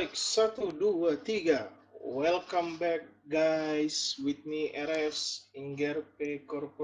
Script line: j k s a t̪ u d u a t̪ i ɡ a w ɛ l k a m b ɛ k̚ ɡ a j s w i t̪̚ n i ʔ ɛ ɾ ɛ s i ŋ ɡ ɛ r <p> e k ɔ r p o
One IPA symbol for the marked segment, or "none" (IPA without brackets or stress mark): p